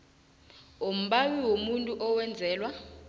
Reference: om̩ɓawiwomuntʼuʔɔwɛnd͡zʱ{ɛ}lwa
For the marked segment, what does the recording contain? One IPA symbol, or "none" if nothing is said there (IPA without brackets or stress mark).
ɛː